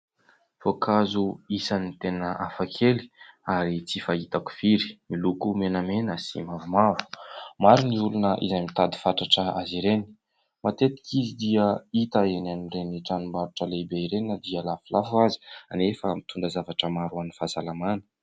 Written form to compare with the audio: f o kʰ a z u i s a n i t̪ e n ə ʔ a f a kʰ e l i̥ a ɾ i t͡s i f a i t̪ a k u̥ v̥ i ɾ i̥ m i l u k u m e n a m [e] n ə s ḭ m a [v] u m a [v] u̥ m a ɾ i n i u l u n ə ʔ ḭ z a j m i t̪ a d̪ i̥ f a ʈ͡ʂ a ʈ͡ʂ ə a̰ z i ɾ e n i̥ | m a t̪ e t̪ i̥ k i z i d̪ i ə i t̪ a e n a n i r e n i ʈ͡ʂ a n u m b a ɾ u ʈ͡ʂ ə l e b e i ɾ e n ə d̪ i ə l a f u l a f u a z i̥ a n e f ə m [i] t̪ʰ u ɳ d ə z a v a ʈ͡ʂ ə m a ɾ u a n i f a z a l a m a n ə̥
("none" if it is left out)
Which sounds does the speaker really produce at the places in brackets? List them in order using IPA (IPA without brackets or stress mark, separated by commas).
e, v, v, i